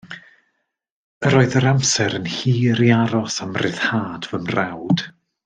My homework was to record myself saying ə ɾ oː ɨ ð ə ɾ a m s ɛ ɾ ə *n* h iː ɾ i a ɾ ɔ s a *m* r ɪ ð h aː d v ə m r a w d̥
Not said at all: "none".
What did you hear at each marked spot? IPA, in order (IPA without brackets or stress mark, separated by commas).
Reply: n, m